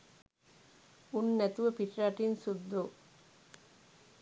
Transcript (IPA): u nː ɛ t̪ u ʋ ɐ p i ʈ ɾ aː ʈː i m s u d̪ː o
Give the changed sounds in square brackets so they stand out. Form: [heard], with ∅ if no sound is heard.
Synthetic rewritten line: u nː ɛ t̪ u ʋ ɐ p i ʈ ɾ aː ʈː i [n] s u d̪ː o

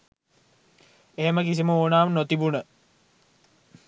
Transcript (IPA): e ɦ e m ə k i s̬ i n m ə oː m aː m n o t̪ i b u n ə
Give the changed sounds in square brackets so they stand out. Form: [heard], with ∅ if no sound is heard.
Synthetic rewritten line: e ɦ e m ə k i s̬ i [∅] m ə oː [n] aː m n o t̪ i b u n ə

